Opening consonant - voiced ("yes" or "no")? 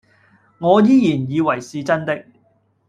yes